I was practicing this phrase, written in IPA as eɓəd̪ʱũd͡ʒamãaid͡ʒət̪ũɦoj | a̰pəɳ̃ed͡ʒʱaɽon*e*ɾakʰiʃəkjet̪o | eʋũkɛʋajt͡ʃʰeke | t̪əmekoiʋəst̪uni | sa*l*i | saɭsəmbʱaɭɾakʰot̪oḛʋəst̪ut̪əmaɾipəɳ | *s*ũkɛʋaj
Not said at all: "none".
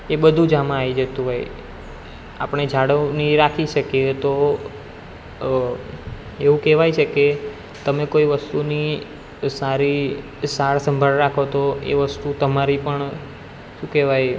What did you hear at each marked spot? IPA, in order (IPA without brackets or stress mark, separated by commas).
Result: i, ɾ, ʃ